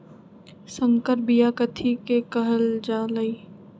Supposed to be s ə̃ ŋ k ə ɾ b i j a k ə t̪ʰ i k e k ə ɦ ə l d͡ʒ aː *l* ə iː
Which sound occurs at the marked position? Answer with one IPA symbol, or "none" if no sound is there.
l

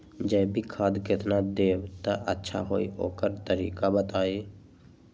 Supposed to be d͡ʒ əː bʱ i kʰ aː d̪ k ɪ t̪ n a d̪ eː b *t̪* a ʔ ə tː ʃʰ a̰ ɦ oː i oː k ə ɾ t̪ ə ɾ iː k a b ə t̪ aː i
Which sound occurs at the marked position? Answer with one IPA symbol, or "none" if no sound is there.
t̪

